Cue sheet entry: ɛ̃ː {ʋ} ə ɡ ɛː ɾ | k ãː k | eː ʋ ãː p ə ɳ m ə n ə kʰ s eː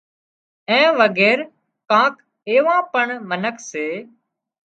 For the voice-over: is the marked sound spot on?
yes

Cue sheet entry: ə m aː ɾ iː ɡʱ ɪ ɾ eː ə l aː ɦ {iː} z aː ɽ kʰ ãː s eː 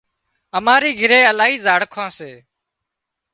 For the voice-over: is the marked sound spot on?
yes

